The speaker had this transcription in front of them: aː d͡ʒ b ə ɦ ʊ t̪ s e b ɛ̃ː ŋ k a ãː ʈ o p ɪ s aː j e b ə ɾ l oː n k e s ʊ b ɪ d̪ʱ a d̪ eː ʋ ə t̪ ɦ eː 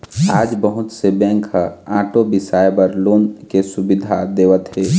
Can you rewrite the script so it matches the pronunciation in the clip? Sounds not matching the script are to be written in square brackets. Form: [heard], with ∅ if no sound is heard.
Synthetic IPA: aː d͡ʒ b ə ɦ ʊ t̪ s e b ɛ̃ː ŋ k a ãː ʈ o [b] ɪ s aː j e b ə ɾ l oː n k e s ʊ b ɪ d̪ʱ a d̪ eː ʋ ə t̪ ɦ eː